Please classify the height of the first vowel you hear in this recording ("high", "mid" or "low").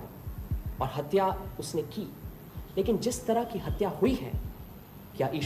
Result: mid